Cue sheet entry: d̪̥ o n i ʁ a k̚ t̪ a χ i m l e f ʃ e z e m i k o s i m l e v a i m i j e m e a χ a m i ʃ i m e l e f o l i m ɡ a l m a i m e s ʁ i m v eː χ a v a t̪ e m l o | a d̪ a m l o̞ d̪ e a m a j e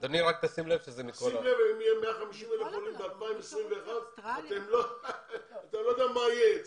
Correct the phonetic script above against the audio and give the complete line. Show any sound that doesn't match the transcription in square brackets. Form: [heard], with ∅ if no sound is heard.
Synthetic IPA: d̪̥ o n i ʁ a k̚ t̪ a [s] i m l e [v] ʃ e z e m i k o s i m l e v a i m i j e m e a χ a m i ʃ i m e l e f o l i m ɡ a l m a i m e s ʁ i m v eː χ a v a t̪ e m l o | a [t̪] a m l o̞ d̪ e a m a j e